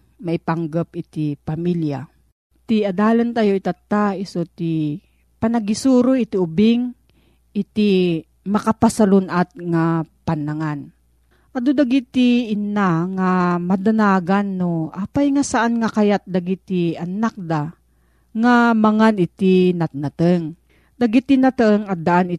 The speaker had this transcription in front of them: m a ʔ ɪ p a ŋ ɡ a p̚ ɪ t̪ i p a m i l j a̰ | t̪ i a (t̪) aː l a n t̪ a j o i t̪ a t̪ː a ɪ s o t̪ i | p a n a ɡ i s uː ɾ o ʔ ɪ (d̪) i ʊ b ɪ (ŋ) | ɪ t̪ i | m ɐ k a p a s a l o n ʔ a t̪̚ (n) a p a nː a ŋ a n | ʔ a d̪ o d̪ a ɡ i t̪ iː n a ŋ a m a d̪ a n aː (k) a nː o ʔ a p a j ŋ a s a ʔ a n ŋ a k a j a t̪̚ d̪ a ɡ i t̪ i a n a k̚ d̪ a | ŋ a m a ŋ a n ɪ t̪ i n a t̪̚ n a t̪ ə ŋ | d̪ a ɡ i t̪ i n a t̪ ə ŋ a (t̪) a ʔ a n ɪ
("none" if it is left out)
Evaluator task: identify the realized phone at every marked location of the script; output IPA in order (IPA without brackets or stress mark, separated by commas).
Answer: d̪, t̪, ŋ, ŋ, ɡ, d̪